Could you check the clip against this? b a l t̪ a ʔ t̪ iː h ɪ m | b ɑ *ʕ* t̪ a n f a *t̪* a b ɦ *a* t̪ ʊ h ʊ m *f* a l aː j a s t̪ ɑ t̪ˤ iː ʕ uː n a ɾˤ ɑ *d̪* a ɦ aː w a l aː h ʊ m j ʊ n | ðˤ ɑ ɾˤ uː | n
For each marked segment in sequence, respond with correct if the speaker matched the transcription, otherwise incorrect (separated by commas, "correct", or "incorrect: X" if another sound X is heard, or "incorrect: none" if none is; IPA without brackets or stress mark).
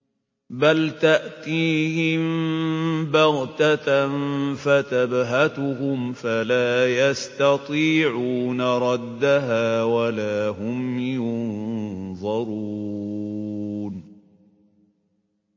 incorrect: ɣ, correct, correct, correct, incorrect: d̪ː